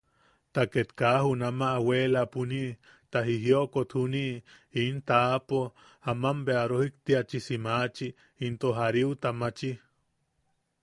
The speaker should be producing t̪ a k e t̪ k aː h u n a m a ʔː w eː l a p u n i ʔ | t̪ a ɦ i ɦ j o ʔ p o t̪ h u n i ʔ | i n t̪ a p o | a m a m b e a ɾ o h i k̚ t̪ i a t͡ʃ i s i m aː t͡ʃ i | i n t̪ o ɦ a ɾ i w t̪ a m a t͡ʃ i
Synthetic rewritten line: t̪ a k e t̪ k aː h u n a m a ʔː w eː l a p u n i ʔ | t̪ a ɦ i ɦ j o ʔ k o t̪ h u n i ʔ | i n t̪ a p o | a m a m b e a ɾ o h i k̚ t̪ i a t͡ʃ i s i m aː t͡ʃ i | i n t̪ o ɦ a ɾ i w t̪ a m a t͡ʃ i